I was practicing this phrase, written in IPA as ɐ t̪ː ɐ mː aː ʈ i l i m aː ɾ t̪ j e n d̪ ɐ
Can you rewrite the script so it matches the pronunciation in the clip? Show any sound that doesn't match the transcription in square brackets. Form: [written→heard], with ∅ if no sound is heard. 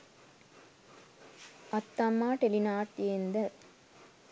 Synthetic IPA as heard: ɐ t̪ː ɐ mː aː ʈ [i→e] l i [m→n] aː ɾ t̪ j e n d̪ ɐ